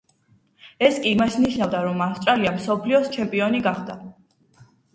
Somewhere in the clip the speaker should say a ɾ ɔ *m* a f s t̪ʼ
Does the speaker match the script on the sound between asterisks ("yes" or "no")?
yes